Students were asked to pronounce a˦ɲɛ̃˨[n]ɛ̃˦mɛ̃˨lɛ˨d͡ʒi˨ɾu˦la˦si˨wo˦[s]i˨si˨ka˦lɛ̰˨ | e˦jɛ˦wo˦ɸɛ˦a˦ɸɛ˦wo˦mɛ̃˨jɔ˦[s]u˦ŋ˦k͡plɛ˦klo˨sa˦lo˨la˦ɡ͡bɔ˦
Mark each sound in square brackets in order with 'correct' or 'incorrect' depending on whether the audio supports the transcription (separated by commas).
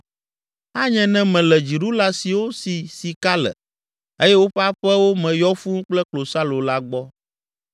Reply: correct, correct, incorrect